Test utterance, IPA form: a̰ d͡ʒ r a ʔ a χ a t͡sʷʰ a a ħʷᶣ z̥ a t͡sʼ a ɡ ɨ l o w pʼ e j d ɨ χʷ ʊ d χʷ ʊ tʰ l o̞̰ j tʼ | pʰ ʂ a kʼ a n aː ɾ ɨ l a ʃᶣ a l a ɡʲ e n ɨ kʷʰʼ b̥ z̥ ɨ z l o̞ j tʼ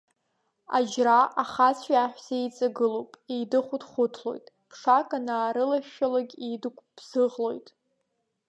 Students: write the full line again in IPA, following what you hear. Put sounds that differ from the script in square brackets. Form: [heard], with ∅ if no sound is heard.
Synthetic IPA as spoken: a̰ d͡ʒ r a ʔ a χ a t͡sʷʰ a a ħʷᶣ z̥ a t͡sʼ a ɡ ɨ l o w pʼ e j d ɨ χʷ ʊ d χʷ ʊ tʰ l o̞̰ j tʼ | pʰ ʂ a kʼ a n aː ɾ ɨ l a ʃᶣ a l a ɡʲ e [d] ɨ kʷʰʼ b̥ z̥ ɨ [ʁ] l o̞ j tʼ